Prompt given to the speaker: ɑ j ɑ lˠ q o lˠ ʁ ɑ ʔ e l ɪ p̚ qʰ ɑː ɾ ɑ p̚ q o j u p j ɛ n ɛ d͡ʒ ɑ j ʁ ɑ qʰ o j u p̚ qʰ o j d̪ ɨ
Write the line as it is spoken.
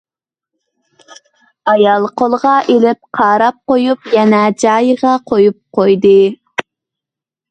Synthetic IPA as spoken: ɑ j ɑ lˠ q o lˠ ʁ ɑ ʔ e l ɪ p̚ qʰ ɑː ɾ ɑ p̚ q o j u p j ɛ n ɛ d͡ʒ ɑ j ʁ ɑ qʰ o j u p̚ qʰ o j d̪ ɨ

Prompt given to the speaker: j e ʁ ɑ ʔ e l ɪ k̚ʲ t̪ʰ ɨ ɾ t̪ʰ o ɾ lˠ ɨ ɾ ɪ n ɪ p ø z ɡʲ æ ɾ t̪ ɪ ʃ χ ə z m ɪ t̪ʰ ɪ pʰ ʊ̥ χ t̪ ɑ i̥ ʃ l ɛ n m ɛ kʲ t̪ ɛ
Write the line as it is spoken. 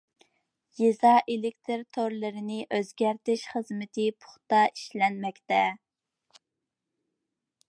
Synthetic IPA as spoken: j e z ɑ ʔ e l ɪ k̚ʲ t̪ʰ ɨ ɾ t̪ʰ o ɾ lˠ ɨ ɾ ɪ n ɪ ʔ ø z ɡʲ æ ɾ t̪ ɪ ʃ χ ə z m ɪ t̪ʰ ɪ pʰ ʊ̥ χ t̪ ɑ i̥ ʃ l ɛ n m ɛ kʲ t̪ ɛ

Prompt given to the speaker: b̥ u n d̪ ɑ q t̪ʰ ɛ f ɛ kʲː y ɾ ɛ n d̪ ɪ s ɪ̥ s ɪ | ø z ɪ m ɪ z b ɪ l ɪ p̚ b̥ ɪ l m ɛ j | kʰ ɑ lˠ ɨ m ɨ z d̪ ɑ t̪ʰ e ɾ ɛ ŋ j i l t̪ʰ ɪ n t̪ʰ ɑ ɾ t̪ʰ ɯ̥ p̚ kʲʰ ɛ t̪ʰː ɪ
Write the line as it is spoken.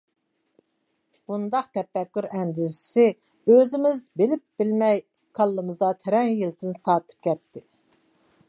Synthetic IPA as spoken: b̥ u n d̪ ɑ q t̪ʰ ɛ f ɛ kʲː y ɾ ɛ n d̪ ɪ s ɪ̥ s ɪ | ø z ɪ m ɪ z b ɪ l ɪ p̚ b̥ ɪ l m ɛ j | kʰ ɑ lˠː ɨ m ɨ z d̪ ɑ t̪ʰ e ɾ ɛ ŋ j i l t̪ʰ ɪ n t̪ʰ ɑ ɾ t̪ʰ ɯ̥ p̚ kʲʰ ɛ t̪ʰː ɪ

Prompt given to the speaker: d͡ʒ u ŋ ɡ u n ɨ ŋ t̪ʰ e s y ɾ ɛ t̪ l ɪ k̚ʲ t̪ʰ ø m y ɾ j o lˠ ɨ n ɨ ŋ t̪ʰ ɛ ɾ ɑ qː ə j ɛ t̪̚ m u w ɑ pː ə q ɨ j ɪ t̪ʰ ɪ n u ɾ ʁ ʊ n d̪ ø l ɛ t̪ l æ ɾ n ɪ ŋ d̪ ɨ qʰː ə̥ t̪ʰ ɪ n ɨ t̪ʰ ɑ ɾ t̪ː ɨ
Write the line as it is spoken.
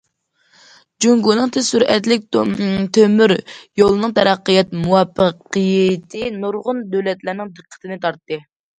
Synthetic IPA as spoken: d͡ʒ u ŋ ɡ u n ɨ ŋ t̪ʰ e s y ɾ ɛ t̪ l ɪ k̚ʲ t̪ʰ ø m y ɾ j o lˠ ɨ n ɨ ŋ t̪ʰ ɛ ɾ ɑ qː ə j ɛ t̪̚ m u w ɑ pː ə q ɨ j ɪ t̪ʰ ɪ n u ɾ ʁ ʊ n d̪ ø l ɛ t̪ l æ ɾ n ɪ ŋ d̪ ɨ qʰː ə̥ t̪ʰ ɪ n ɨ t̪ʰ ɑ ɾ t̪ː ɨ

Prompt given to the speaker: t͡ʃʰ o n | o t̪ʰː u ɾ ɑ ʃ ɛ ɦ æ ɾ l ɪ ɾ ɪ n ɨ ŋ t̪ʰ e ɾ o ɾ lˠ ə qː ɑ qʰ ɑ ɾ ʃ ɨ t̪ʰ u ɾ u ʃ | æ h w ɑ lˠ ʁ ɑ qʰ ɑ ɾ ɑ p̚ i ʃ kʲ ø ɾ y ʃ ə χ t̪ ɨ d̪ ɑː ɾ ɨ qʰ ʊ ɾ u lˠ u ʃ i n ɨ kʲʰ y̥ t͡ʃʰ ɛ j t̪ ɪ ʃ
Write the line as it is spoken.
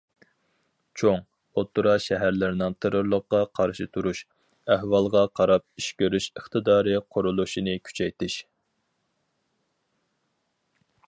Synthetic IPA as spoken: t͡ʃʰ o ŋ | o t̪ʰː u ɾ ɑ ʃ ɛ ɦ æ ɾ l ɪ ɾ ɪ n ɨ ŋ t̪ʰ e ɾ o ɾ lˠ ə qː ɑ qʰ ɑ ɾ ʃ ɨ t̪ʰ u ɾ u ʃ | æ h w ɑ lˠ ʁ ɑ qʰ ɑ ɾ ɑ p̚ i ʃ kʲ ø ɾ y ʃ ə χ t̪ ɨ d̪ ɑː ɾ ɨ qʰ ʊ ɾ u lˠ u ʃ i n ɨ kʲʰ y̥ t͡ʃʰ ɛ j t̪ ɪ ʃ

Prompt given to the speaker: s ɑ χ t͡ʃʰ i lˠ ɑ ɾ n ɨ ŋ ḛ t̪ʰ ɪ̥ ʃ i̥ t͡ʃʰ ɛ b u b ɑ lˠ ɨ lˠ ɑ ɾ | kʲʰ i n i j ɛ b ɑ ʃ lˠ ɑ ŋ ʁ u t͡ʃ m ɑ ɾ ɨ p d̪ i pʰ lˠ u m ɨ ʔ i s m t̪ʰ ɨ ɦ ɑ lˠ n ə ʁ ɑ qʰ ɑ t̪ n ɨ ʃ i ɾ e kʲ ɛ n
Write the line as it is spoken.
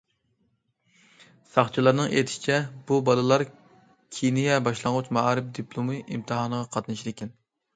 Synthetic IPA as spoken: s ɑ χ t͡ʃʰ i lˠ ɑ ɾ n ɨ ŋ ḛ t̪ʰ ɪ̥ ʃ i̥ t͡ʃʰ ɛ b u b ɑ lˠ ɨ lˠ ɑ ɾ | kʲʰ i n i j ɛ b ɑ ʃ lˠ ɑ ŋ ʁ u t͡ʃ m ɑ ɾ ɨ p d̪ i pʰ lˠ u m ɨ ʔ i m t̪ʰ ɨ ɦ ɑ n ə ʁ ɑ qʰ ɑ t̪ n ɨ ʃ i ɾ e kʲ ɛ n

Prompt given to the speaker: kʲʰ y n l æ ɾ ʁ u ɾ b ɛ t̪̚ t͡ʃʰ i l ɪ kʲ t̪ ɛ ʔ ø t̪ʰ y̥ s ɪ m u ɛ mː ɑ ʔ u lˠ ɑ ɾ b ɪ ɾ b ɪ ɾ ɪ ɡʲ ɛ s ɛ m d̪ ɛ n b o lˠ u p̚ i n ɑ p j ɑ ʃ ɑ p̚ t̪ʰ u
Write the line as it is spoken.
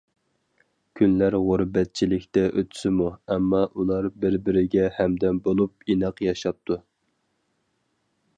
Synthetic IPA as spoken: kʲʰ y n l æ ɾ ʁ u ɾ b ɛ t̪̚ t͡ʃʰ i l ɪ kʲ t̪ ɛ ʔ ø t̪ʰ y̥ s ɪ m u ɛ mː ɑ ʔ u lˠ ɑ ɾ b ɪ ɾ b ɪ ɾ ɪ ɡʲ ɛ h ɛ m d̪ ɛ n b o lˠ u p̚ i n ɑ q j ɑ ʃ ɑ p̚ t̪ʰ u

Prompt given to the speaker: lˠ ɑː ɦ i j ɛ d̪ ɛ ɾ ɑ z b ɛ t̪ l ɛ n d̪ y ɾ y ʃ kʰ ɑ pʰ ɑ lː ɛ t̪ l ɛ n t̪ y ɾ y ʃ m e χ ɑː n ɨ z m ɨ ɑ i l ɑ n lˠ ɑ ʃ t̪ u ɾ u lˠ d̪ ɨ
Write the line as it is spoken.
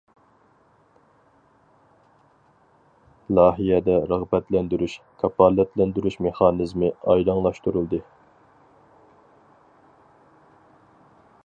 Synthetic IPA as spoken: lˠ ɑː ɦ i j ɛ d̪ ɛ ɾ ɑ ʁ b ɛ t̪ l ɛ n d̪ y ɾ y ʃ kʰ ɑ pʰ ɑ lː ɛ t̪ l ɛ n d̪ y ɾ y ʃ m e χ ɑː n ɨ z m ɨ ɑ j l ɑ ŋ lˠ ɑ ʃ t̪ u ɾ u lˠ d̪ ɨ

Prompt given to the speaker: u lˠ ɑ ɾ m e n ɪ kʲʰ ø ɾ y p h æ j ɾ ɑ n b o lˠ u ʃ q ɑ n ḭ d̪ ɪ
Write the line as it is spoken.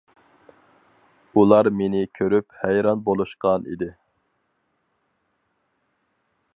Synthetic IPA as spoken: u lˠ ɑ ɾ m e n ɪ kʲʰ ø ɾ y p h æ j ɾ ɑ n b o lˠ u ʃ q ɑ n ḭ d̪ ɪ

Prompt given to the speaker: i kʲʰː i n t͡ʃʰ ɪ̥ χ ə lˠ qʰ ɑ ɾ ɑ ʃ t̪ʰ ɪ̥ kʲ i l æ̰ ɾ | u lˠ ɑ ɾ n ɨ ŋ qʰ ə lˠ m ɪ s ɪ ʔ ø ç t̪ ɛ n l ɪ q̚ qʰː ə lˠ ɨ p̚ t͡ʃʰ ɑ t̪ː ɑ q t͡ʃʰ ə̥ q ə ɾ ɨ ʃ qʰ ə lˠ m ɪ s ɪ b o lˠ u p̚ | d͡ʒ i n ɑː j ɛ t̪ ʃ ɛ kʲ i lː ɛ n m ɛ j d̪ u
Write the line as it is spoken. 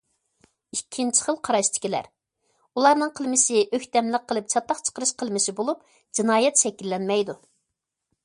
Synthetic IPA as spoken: i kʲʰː i n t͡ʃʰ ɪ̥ χ ə lˠ qʰ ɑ ɾ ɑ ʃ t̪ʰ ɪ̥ kʲ i l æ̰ ɾ | u lˠ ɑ ɾ n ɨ ŋ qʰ ə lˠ m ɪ s ɪ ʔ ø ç t̪ ɛ m l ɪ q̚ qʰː ə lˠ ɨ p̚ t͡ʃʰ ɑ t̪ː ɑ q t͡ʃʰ ə̥ q ə ɾ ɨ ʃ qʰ ə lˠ m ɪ s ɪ b o lˠ u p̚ | d͡ʒ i n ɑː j ɛ t̪ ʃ ɛ kʲ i lː ɛ n m ɛ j d̪ u

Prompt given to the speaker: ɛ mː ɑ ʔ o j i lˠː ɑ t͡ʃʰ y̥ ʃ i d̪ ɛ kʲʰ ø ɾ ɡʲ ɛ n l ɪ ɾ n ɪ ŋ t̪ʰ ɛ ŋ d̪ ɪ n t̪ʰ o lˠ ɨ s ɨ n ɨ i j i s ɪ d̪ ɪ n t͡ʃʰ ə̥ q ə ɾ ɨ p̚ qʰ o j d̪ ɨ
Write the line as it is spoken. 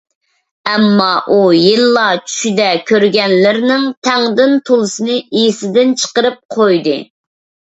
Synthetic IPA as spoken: ɛ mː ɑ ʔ u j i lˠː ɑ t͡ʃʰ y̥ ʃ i d̪ ɛ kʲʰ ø ɾ ɡʲ ɛ n l ɪ ɾ n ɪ ŋ t̪ʰ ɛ ŋ d̪ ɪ n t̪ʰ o lˠ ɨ s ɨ n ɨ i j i s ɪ d̪ ɪ n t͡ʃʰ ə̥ q ə ɾ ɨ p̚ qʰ o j d̪ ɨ

